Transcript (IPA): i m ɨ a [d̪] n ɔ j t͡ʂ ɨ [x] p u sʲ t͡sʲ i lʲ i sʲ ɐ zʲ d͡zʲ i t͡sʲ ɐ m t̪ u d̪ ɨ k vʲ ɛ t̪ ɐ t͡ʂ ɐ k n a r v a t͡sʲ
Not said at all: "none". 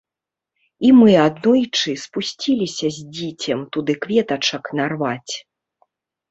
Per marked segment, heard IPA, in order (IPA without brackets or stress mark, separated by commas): d̪, s